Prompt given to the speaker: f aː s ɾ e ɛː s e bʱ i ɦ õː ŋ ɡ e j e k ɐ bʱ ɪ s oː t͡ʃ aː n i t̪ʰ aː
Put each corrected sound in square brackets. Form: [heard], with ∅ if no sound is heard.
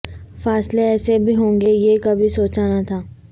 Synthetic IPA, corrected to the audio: f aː s [l] e ɛː s e bʱ i ɦ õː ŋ ɡ e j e k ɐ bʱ [i] s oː t͡ʃ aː n [a] t̪ʰ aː